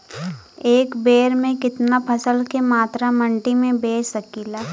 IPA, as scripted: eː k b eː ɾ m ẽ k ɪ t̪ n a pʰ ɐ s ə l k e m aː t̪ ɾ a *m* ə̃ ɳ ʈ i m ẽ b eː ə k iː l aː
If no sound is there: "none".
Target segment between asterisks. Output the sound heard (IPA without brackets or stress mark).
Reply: m